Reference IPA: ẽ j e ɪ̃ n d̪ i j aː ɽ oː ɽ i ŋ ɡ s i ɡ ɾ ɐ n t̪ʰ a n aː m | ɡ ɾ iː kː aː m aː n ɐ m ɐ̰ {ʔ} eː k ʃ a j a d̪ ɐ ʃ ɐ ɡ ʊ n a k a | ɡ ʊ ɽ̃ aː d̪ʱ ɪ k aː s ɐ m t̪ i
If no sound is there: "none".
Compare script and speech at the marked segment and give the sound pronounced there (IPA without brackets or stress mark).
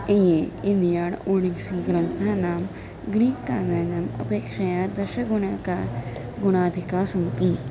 p